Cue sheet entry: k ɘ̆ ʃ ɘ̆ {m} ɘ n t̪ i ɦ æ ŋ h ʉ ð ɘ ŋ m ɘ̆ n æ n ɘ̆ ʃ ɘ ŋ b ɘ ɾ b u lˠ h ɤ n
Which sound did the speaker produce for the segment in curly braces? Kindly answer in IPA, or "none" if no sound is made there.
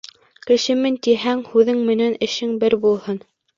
m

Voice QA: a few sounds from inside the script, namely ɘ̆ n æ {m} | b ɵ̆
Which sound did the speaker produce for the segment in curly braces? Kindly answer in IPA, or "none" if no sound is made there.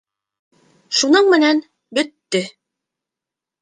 n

